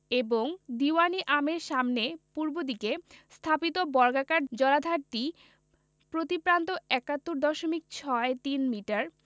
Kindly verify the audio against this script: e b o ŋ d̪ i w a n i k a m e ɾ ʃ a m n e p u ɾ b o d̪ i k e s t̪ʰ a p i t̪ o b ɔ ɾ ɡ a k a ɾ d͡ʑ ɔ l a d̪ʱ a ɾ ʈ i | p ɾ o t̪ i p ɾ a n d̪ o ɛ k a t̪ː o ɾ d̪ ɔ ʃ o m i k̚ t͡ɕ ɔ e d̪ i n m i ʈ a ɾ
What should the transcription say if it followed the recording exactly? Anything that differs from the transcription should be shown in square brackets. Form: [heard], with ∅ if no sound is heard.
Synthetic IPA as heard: e b o ŋ d̪ i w a n i [ʔ] a m e ɾ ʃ a m n e p u ɾ b o d̪ i k e s t̪ʰ a p i t̪ o b ɔ ɾ ɡ a k a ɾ d͡ʑ ɔ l a d̪ʱ a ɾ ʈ i | p ɾ o t̪ i p ɾ a n [t̪] o ɛ k a t̪ː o ɾ d̪ ɔ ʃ o m i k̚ [t͡ɕʰ] ɔ e [t̪] i n m i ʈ a ɾ

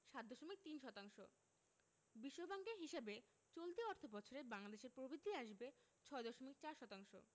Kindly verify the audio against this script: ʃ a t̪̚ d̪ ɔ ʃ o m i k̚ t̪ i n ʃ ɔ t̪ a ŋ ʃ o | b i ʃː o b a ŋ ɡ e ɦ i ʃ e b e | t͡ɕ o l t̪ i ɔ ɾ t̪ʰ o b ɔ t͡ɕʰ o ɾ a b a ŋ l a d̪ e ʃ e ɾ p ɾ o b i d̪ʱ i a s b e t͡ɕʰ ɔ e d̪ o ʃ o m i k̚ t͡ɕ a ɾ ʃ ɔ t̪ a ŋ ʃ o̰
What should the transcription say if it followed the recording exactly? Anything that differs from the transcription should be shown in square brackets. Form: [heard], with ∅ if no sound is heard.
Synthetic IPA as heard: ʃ a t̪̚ d̪ ɔ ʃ o m i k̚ t̪ i n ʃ ɔ t̪ a ŋ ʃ o | b i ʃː o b a ŋ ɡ e ɦ i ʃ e b e | t͡ɕ o l t̪ i ɔ ɾ t̪ʰ o b ɔ t͡ɕʰ o ɾ [e] b a ŋ l a d̪ e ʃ e ɾ p ɾ o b i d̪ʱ i a [ʃ] b e t͡ɕʰ ɔ e d̪ [ɔ] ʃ o m i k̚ t͡ɕ a ɾ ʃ ɔ t̪ a ŋ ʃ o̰

